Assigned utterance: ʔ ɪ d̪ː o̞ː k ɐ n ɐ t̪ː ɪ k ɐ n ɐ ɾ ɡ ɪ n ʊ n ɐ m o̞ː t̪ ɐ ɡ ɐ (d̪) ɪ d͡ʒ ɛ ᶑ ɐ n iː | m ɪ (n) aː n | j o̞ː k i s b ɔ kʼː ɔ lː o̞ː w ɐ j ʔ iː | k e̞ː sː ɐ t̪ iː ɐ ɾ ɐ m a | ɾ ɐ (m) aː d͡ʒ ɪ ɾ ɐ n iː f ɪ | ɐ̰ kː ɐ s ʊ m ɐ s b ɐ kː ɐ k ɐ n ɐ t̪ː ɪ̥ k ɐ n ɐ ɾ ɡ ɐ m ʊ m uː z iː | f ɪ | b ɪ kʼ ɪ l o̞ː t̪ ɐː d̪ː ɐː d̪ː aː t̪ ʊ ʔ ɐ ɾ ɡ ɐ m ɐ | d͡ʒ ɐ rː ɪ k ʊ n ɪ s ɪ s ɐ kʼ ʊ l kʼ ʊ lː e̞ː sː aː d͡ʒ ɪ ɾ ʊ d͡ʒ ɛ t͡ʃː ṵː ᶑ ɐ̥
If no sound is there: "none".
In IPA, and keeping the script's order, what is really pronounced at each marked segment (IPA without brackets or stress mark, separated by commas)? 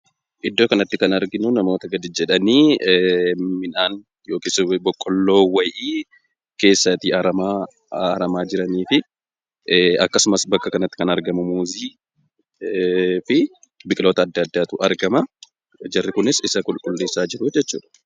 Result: d̪, n, m